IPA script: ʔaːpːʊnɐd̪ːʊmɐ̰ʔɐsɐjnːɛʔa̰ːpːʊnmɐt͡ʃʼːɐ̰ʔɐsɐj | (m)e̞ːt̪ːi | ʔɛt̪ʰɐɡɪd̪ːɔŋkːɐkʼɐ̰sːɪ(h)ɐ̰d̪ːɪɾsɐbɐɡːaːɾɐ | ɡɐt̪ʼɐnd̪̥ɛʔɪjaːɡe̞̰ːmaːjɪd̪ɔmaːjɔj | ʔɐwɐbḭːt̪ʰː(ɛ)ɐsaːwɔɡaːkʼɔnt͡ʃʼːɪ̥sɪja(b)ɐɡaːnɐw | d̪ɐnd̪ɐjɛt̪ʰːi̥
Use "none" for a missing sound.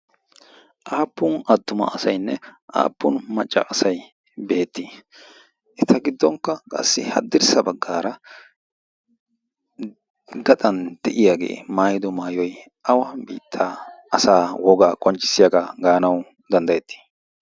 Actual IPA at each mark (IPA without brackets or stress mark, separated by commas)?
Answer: b, h, a, ɡ